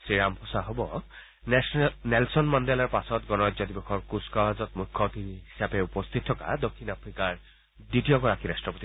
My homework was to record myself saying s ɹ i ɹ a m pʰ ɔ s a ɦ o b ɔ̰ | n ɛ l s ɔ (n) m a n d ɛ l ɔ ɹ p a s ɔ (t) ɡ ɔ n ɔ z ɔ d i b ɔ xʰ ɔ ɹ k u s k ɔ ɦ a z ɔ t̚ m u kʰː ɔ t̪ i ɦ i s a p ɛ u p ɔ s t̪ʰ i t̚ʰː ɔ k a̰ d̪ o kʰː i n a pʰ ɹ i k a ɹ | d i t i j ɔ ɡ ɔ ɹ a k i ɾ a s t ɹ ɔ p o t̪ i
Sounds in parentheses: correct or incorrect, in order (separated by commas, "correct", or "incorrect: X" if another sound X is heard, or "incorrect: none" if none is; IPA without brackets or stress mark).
correct, correct